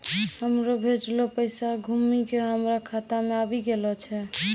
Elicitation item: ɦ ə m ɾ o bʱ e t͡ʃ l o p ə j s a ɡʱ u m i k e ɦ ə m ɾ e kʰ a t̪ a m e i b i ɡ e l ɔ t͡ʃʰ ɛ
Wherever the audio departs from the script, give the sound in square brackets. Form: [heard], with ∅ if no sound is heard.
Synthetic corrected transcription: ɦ ə m ɾ o bʱ e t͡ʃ l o p ə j s a ɡʱ u m i k e ɦ ə m ɾ [a] kʰ a t̪ a m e [a] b i ɡ e l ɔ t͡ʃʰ ɛ